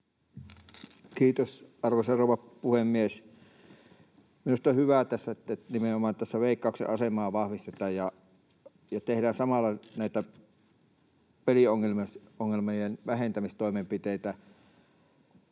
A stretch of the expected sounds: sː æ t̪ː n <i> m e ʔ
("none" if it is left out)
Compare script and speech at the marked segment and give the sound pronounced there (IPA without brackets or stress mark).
i